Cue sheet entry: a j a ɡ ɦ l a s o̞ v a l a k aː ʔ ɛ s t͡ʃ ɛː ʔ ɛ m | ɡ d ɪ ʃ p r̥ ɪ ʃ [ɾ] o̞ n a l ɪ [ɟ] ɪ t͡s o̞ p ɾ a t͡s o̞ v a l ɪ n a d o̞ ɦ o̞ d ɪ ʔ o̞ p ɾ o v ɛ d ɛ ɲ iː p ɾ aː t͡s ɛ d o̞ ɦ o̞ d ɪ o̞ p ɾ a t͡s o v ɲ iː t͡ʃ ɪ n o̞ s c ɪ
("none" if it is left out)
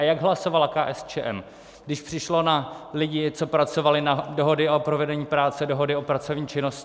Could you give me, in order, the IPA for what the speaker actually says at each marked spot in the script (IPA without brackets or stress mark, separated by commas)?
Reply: l, ɟ